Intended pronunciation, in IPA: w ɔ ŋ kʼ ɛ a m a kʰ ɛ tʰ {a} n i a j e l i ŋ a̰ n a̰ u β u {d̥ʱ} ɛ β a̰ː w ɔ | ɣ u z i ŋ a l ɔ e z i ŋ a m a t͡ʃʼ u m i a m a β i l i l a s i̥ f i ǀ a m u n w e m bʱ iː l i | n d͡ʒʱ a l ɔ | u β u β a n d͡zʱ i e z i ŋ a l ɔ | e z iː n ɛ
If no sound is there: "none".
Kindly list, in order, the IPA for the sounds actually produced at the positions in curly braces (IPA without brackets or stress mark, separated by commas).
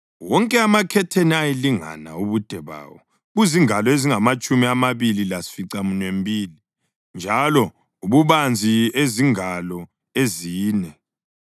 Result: e, d̥ʱ